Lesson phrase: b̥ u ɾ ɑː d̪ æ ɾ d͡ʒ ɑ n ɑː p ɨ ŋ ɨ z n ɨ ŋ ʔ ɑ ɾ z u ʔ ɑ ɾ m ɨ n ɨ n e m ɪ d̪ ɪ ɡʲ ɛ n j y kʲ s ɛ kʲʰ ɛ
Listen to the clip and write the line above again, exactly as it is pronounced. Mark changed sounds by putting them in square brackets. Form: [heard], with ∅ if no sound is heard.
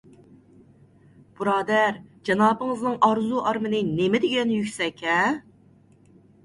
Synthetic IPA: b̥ u ɾ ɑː d̪ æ ɾ d͡ʒ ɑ n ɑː p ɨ ŋ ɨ z n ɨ ŋ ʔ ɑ ɾ z u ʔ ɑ ɾ m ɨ n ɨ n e m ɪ d̪ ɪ ɡʲ ɛ n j y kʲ s ɛ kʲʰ ɛ